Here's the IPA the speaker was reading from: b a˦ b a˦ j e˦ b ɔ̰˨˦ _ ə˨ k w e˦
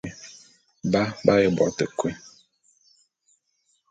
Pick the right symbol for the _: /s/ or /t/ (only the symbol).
t